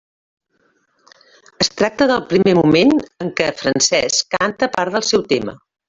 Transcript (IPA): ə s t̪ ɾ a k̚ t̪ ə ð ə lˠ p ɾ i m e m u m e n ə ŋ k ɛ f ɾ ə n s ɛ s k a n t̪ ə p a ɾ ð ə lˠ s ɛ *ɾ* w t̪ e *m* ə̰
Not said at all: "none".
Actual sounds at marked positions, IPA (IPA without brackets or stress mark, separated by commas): none, m